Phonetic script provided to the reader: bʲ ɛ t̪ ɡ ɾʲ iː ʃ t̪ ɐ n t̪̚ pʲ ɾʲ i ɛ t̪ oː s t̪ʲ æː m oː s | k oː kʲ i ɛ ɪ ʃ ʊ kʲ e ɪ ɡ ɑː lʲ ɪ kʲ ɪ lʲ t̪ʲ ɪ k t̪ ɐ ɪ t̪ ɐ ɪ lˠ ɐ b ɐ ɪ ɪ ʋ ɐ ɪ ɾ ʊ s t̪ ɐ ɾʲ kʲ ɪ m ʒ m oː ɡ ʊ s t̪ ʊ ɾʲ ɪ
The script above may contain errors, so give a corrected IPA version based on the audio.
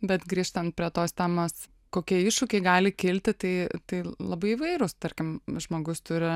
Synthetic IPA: bʲ ɛ t̪ ɡ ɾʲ iː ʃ t̪ ɐ n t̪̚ pʲ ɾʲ i ɛ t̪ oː s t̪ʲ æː m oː s | k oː kʲ i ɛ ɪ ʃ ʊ kʲ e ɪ ɡ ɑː lʲ ɪ kʲ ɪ lʲ t̪ʲ ɪ t̪ ɐ ɪ t̪ ɐ ɪ lˠ ɐ b ɐ ɪ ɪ ʋ ɐ ɪ ɾ ʊ s t̪ ɐ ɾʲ kʲ ɪ m ʒ m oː ɡ ʊ s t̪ ʊ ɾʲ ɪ